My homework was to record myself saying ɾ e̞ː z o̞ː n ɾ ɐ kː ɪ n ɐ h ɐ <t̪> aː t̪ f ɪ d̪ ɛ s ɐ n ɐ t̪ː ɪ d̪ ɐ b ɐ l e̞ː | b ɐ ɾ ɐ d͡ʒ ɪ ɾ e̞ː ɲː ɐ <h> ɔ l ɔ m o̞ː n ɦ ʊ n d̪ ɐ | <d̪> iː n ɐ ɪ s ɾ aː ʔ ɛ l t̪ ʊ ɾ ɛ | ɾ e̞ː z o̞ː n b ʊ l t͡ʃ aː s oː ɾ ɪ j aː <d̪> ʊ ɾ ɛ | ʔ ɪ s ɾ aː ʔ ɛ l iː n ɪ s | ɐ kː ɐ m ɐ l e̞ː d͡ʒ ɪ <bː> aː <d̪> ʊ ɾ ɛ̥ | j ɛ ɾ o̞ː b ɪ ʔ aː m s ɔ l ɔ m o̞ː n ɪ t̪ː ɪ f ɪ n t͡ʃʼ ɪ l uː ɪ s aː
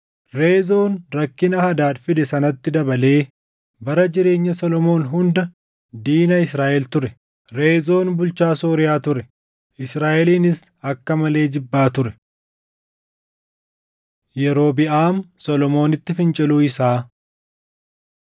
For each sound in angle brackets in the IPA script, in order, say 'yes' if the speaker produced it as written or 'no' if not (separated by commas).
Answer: no, no, yes, no, yes, no